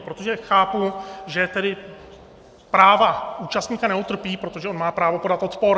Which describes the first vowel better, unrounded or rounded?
rounded